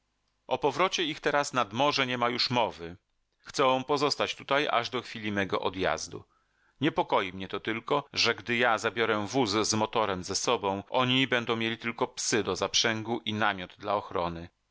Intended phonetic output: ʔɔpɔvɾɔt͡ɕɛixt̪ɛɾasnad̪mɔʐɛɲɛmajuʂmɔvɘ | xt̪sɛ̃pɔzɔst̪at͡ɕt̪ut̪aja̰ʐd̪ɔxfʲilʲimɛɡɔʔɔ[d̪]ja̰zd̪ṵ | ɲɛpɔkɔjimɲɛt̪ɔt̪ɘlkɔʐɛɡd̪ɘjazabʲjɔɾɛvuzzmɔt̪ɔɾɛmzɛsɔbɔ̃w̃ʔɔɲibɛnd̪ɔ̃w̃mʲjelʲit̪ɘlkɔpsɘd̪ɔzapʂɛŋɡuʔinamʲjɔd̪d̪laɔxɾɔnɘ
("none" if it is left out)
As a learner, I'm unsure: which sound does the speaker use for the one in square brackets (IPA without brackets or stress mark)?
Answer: d̪